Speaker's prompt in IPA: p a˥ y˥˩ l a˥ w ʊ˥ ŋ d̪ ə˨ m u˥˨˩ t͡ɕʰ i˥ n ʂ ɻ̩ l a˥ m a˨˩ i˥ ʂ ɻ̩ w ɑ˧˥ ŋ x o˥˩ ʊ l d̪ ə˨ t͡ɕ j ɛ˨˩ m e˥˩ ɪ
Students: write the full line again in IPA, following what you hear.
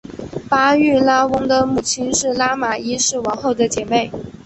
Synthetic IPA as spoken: p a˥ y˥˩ l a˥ w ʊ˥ ŋ d̪ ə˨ m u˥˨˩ t͡ɕʰ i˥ n ʂ ɻ̩ l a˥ m a˨˩ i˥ ʂ ɻ̩ w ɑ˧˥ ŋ x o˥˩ ʊ d̪ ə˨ t͡ɕ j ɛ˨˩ m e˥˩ ɪ